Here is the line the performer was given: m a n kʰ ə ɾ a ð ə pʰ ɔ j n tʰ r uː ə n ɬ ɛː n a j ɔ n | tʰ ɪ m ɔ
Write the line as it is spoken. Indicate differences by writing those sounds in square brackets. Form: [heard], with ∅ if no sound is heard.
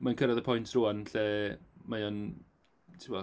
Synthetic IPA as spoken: m a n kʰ ə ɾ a ð ə pʰ ɔ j n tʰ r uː [a] n ɬ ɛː [m] a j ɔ n | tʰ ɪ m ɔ